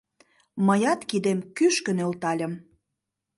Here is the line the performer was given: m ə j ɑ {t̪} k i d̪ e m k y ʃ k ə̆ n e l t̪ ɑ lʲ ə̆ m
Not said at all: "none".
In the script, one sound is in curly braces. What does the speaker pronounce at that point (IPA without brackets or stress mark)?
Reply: t̪